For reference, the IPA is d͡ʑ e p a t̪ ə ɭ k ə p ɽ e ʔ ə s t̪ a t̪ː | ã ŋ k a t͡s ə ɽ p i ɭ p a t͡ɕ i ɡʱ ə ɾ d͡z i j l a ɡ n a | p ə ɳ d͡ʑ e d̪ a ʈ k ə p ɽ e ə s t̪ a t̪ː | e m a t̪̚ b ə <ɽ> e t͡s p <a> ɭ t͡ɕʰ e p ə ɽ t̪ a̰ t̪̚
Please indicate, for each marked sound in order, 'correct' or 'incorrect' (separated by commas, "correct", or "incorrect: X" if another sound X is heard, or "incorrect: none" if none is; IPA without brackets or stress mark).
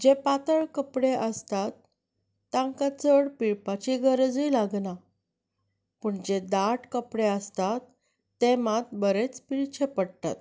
incorrect: ɾ, incorrect: i